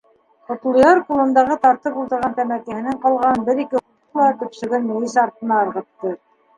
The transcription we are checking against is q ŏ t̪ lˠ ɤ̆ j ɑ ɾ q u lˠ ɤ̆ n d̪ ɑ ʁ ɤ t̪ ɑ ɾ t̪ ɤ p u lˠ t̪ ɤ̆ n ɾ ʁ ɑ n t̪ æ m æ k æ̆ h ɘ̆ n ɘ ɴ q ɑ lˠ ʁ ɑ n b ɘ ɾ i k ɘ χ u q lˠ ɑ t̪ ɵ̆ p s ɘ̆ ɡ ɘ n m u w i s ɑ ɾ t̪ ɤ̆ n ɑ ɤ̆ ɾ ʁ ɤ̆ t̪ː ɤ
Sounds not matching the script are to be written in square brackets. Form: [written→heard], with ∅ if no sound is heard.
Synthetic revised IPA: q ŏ t̪ lˠ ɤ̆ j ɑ ɾ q u lˠ ɤ̆ n d̪ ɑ ʁ ɤ t̪ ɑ ɾ t̪ ɤ p u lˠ t̪ ɤ̆ [n→∅] ɾ ʁ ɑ n t̪ æ m æ k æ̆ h ɘ̆ n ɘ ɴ q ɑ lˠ ʁ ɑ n b ɘ ɾ i k ɘ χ u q lˠ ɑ t̪ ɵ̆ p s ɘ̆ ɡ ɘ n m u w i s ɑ ɾ t̪ ɤ̆ n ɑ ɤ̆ ɾ ʁ ɤ̆ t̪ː ɤ